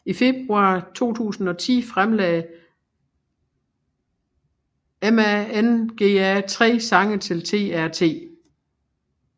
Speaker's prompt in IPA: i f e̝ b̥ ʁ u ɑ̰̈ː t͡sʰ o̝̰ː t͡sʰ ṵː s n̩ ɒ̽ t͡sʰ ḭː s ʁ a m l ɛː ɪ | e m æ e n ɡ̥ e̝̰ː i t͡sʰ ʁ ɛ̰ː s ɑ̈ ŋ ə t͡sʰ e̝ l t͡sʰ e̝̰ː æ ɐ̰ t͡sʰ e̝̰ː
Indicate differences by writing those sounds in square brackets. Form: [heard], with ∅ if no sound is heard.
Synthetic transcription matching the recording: i f e̝ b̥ ʁ u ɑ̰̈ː t͡sʰ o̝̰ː t͡sʰ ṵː s n̩ ɒ̽ t͡sʰ ḭː [f] ʁ a m l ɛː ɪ | e m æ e n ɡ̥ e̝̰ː [æ] t͡sʰ ʁ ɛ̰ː s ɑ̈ ŋ ə t͡sʰ e̝ l t͡sʰ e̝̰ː æ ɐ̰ t͡sʰ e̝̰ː